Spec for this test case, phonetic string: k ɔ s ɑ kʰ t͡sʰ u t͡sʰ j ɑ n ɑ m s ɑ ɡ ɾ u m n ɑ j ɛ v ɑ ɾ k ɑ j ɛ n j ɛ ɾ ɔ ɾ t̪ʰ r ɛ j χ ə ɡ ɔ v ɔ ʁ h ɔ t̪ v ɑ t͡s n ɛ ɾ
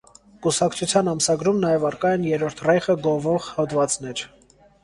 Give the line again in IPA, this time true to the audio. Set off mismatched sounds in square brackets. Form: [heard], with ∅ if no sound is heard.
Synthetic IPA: k [u] s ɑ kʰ t͡sʰ u t͡sʰ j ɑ n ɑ m s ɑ ɡ ɾ u m n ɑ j ɛ v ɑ ɾ k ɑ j ɛ n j ɛ ɾ ɔ ɾ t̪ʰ r ɛ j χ ə ɡ ɔ v ɔ ʁ h ɔ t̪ v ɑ t͡s n ɛ ɾ